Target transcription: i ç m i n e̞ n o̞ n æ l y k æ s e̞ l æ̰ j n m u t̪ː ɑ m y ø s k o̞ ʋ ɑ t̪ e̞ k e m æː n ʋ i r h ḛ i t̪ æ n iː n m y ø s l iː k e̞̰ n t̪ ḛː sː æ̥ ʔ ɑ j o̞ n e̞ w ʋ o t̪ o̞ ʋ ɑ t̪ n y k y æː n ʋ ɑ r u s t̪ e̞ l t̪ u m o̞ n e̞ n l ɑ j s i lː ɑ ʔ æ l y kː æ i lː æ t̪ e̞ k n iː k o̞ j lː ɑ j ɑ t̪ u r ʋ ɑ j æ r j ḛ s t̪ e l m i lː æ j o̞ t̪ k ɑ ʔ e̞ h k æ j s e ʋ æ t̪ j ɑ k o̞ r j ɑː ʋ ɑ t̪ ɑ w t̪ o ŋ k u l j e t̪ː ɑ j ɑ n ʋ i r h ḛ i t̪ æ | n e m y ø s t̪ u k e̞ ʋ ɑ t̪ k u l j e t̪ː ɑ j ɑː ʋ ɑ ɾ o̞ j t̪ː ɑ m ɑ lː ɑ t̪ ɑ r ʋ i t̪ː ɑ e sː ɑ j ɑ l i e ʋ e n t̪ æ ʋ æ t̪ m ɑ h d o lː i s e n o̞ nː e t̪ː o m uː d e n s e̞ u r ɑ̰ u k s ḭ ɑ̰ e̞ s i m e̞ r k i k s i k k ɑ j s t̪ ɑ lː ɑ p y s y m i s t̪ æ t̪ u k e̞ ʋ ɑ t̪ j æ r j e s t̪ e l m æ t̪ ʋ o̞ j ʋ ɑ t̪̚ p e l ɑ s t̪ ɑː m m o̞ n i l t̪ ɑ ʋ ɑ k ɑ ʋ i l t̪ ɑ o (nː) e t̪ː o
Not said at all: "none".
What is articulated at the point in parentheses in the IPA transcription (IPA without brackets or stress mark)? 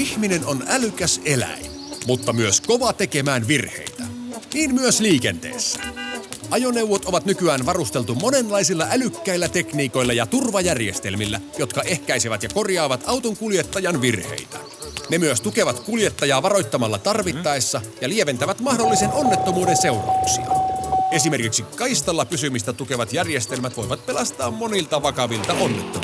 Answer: nː